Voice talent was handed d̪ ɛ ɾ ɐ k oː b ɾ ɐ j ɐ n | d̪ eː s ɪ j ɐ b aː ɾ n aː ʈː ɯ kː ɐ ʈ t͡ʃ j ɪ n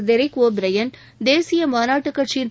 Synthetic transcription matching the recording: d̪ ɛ ɾ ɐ k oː b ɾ ɐ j ɐ n | d̪ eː s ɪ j ɐ m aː n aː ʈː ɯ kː ɐ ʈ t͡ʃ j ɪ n

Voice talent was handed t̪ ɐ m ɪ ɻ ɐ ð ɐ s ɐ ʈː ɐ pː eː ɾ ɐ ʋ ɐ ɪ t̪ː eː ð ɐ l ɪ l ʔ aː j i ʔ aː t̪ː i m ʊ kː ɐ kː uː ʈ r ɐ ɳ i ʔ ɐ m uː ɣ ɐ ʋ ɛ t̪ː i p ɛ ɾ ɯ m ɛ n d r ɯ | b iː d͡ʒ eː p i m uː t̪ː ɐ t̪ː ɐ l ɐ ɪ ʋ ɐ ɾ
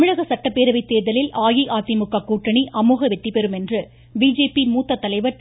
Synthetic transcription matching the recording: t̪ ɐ m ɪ ɻ ɐ ɣ ɐ s ɐ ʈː ɐ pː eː ɾ ɐ ʋ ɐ ɪ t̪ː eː ð ɐ l ɪ l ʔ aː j i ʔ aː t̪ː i m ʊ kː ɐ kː uː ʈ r ɐ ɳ i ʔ ɐ m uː ɣ ɐ ʋ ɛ t̪ː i p ɛ ɾ ɯ m ɛ n d r ɯ | b iː d͡ʒ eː p i m uː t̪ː ɐ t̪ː ɐ l ɐ ɪ ʋ ɐ ɾ

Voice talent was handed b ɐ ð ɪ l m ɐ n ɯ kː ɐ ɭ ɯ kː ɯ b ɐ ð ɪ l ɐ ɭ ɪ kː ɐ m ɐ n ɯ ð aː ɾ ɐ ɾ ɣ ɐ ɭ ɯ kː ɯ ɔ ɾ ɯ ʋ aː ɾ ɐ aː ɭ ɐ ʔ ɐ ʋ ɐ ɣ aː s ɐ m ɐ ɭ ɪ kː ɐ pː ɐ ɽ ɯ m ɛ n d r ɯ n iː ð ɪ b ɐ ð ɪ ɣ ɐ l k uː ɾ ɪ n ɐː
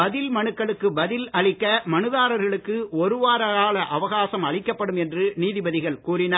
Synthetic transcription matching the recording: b ɐ ð ɪ l m ɐ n ɯ kː ɐ ɭ ɯ kː ɯ b ɐ ð ɪ l ɐ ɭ ɪ kː ɐ m ɐ n ɯ ð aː ɾ ɐ ɾ ɣ ɐ ɭ ɯ kː ɯ ɔ ɾ ɯ ʋ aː ɾ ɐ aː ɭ ɐ ʔ ɐ ʋ ɐ ɣ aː s ɐ m ɐ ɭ ɪ kː ɐ pː ɐ ɽ ɯ m ɛ n d r ɯ n iː ð ɪ b ɐ ð ɪ ɣ ɐ ɭ k uː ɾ ɪ n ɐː

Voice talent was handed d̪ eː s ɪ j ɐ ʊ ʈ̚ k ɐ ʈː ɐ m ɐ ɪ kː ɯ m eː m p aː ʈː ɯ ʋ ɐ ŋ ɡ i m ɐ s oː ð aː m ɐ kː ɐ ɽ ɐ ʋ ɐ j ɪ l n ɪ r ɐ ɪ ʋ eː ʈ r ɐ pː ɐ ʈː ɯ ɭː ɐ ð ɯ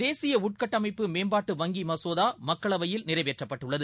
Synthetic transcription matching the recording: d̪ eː s ɪ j ɐ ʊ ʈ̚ k ɐ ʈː ɐ m ɐ ɪ pː ɯ m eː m b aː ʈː ɯ ʋ ɐ ŋ ɡ i m ɐ s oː ð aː m ɐ kː ɐ ɭ ɐ ʋ ɐ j ɪ l n ɪ r ɐ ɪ ʋ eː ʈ r ɐ pː ɐ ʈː ɯ ɭː ɐ ð ɯ

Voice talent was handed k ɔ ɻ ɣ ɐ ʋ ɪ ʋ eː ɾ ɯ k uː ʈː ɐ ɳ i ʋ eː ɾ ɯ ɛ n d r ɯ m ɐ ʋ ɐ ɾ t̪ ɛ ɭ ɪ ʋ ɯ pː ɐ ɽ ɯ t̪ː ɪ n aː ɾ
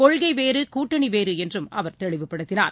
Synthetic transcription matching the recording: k ɔ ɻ ɣ ɐ ɪ ʋ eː ɾ ɯ k uː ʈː ɐ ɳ i ʋ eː ɾ ɯ ɛ n d r ɯ m ɐ ʋ ɐ ɾ t̪ ɛ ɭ ɪ ʋ ɯ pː ɐ ɽ ɯ t̪ː ɪ n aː ɾ

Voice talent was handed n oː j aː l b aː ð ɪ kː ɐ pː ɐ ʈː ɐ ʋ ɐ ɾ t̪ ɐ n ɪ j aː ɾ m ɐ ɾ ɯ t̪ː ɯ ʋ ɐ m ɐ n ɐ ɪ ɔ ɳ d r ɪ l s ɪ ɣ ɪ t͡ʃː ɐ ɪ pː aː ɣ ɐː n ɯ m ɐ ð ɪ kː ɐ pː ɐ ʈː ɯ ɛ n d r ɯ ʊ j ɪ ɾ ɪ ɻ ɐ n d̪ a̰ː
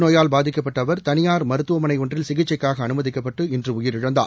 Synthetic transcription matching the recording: n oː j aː l b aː ð ɪ kː ɐ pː ɐ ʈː ɐ ʋ ɐ ɾ t̪ ɐ n ɪ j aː ɾ m ɐ ɾ ɯ t̪ː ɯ ʋ ɐ m ɐ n ɐ ɪ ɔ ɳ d r ɪ l s ɪ ɣ ɪ t͡ʃː ɐ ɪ kː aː ɣ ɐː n ɯ m ɐ ð ɪ kː ɐ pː ɐ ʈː ɯ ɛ n d r ɯ ʊ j ɪ ɾ ɪ ɻ ɐ n d̪ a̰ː

